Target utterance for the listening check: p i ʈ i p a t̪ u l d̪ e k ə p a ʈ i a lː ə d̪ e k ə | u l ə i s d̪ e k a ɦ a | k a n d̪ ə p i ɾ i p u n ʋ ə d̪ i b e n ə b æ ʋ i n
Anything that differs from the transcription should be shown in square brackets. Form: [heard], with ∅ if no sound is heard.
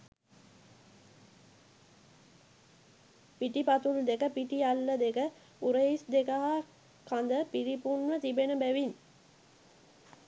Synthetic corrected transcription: p i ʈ i p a t̪ u l d̪ e k ə p [i] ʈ i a lː ə d̪ e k ə | u [ɾ] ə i s d̪ e k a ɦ a | k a n d̪ ə p i ɾ i p u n ʋ ə [t̪] i b e n ə b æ ʋ i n